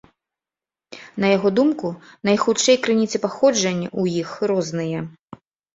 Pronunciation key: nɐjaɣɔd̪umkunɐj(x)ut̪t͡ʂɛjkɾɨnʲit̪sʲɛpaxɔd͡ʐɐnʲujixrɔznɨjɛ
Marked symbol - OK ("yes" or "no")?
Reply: yes